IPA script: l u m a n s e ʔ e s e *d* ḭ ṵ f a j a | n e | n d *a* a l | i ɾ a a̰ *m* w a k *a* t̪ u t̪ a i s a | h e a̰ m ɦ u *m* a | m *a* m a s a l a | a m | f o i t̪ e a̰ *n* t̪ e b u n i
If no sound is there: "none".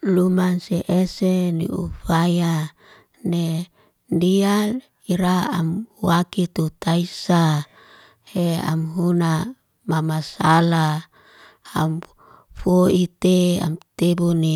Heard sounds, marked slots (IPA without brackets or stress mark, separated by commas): n, i, m, i, n, a, m